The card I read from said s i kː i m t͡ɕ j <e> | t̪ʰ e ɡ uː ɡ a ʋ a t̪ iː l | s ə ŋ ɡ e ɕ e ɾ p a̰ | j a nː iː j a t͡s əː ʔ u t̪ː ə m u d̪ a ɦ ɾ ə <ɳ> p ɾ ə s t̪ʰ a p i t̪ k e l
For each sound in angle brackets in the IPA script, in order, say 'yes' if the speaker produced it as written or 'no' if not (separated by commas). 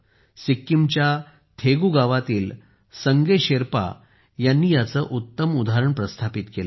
no, yes